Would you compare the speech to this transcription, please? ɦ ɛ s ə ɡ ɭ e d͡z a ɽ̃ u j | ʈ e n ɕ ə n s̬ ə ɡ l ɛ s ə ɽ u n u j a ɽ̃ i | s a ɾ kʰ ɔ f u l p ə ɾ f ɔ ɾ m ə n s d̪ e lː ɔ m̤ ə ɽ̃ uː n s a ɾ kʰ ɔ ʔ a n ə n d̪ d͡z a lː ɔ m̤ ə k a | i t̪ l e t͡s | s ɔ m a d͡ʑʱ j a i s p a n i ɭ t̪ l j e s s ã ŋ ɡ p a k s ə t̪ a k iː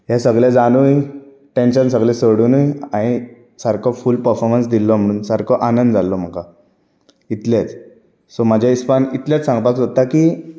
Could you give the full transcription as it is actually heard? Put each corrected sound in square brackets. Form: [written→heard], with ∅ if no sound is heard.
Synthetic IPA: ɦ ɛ s ə ɡ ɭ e d͡z a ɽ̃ u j | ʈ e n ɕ ə n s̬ ə ɡ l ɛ s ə ɽ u n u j a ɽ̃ i | s a ɾ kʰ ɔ f u l p ə ɾ f ɔ ɾ m ə n s d̪ [e→i] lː ɔ m̤ ə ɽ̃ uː n s a ɾ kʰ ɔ ʔ a n ə n d̪ d͡z a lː ɔ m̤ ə k a | i t̪ l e t͡s | s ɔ m a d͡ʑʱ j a i s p a n i [ɭ→∅] t̪ l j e [s→t͡s] s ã ŋ ɡ p a k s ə t̪ a k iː